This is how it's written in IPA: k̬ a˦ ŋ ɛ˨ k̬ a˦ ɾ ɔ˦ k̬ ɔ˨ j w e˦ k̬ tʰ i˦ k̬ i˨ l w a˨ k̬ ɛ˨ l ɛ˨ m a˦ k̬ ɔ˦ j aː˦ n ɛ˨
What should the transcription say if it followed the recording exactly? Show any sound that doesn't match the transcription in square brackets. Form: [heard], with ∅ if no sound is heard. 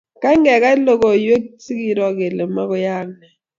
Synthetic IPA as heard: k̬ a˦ ŋ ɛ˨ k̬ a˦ [l] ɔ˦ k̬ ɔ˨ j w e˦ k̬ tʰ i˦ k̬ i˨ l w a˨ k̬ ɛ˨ l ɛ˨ m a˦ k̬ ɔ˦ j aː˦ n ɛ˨

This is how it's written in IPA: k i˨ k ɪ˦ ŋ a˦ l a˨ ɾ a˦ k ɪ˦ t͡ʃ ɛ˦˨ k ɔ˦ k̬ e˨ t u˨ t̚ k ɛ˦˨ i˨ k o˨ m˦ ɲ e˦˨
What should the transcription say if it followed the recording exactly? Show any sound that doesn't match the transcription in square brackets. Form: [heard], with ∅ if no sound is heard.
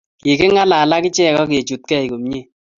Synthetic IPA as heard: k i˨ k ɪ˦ ŋ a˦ l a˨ [l] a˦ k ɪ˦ t͡ʃ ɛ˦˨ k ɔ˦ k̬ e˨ [t͡ʃ] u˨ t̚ k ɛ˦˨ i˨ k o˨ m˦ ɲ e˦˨

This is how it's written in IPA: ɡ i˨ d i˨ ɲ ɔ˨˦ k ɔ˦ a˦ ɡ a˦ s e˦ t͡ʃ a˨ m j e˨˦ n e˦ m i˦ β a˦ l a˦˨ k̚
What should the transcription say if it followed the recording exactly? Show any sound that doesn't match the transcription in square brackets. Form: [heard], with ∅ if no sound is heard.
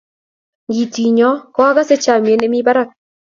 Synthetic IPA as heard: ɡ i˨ [t] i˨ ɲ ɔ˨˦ k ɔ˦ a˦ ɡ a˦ s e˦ t͡ʃ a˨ m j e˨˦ n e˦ m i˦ [b] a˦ [ɾ] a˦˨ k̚

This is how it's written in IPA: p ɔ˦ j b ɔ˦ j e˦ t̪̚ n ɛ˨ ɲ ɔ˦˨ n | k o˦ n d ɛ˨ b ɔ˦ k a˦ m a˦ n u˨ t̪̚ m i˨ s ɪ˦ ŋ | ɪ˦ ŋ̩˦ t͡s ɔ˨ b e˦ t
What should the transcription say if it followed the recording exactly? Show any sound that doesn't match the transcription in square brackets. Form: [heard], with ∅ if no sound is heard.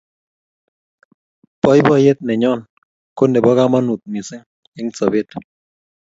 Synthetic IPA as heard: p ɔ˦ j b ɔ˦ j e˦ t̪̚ n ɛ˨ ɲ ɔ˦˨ n | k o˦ n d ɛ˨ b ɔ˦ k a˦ m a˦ n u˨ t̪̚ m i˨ s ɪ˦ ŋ | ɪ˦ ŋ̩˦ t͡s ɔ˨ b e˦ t

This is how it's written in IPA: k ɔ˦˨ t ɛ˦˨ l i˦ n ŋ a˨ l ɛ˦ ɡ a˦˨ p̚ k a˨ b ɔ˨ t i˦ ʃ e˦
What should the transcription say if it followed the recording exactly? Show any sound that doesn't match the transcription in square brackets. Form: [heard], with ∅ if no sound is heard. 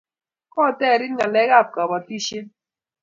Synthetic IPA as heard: k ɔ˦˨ t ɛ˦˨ [ɾ] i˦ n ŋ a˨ l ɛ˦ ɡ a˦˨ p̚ k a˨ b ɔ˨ t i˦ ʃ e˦

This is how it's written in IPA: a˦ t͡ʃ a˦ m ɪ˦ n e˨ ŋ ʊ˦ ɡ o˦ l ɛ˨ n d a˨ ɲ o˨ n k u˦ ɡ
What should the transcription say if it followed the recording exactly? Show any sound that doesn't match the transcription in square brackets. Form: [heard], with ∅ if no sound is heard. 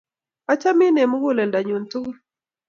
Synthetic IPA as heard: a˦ t͡ʃ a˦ m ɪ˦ n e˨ [m] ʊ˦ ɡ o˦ l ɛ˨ n d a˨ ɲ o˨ n [t] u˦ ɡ

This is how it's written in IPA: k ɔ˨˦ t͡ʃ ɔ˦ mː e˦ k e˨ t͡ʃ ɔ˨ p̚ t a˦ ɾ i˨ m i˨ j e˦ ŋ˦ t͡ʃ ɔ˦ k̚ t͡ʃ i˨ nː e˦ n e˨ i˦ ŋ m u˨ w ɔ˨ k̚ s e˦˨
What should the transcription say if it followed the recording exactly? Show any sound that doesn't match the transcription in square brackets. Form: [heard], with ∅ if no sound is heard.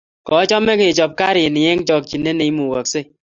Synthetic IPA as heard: k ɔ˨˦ t͡ʃ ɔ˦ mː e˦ k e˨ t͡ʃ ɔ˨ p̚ [k] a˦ ɾ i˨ [n] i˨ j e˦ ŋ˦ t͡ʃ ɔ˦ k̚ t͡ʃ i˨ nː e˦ n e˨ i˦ [∅] m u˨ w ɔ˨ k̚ s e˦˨

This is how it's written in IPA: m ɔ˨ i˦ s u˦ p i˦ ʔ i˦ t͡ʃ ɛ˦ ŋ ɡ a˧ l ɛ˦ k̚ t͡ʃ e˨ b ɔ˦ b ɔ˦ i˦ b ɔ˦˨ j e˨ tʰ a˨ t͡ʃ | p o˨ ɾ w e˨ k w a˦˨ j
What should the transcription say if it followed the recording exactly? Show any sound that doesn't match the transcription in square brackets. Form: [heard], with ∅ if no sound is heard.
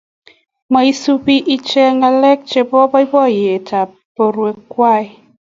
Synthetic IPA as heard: m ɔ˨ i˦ s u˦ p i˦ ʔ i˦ t͡ʃ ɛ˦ ŋ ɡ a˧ l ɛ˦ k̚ t͡ʃ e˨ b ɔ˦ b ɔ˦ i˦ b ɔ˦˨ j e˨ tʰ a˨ [∅] | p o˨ ɾ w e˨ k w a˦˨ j

